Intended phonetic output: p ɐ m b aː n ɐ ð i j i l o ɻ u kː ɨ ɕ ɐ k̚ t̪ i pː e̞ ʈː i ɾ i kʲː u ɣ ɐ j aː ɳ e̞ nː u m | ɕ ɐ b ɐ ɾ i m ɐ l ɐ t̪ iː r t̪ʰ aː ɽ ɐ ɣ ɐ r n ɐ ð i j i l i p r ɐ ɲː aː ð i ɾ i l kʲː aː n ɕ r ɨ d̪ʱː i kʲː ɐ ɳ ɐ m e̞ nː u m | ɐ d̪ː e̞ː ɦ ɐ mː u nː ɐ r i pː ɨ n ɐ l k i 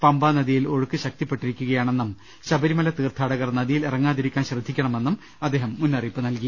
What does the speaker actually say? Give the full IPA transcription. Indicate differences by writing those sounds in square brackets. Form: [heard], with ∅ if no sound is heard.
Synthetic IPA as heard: p ɐ m b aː n ɐ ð i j i l o ɻ u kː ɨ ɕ ɐ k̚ t̪ i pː e̞ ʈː i ɾ i kʲː u ɣ ɐ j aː ɳ e̞ nː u m | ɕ ɐ b ɐ ɾ i m ɐ l ɐ t̪ iː r t̪ʰ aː ɽ ɐ ɣ ɐ r n ɐ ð i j i l i [∅] r ɐ [ŋː] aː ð i ɾ i [∅] kʲː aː n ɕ r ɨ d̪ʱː i kʲː ɐ ɳ ɐ m e̞ nː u m | ɐ d̪ː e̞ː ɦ ɐ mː u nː ɐ r i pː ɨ n ɐ l k i